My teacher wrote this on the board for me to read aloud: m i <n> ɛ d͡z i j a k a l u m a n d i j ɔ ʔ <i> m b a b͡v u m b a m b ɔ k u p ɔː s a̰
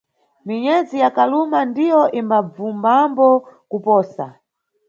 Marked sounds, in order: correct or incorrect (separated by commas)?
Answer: incorrect, correct